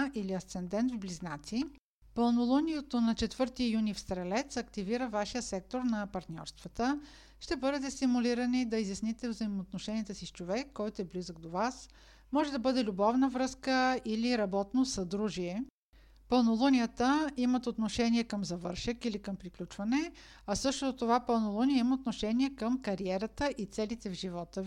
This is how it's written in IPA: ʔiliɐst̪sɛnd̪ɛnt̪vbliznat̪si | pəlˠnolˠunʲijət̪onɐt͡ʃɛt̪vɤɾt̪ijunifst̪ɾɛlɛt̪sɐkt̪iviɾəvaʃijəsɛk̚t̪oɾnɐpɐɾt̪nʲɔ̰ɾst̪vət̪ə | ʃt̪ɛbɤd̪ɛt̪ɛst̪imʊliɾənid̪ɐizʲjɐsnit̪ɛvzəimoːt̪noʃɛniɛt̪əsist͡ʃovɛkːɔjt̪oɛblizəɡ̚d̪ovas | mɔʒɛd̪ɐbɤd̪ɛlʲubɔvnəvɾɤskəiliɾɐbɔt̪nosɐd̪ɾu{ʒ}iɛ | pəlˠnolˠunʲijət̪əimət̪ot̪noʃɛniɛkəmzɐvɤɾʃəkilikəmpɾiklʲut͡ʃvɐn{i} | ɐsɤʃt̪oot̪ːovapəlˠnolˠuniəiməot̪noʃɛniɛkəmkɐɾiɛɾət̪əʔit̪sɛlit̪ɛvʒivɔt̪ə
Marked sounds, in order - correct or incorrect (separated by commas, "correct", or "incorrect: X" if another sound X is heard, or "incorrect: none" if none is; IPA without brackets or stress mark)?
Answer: correct, incorrect: ɛ